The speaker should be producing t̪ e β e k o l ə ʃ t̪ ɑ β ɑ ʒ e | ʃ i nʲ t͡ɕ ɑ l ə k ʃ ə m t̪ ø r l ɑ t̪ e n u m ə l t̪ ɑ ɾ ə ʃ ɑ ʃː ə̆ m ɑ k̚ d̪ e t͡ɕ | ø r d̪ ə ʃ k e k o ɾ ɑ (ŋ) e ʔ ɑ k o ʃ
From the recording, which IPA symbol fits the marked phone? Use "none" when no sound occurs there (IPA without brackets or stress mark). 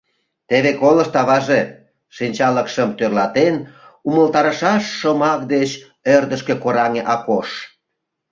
ŋ